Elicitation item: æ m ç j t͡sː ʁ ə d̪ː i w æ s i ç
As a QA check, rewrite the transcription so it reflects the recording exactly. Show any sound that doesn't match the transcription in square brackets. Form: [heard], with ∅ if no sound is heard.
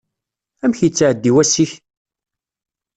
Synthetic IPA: æ m ç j t͡sː [ʕ] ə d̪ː i w æ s i ç